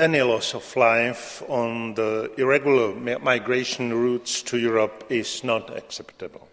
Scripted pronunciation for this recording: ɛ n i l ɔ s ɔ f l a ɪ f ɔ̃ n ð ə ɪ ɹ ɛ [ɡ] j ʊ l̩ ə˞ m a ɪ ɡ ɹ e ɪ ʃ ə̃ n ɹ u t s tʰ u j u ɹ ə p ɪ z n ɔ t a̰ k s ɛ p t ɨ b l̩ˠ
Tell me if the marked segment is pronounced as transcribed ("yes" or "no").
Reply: yes